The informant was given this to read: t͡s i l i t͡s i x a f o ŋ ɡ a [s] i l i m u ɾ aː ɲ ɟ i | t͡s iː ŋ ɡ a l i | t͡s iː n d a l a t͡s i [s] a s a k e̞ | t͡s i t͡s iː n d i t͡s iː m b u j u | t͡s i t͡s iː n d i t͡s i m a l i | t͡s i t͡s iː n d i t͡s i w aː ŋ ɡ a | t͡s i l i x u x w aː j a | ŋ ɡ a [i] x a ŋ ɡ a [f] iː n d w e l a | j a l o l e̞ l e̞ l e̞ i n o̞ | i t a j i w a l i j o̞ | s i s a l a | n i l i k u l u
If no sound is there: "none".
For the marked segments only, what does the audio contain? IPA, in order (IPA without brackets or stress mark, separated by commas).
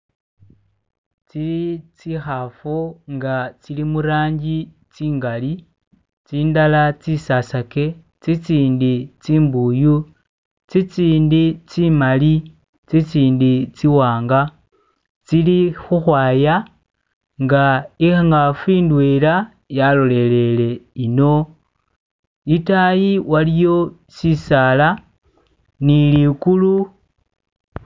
t͡s, s, i, f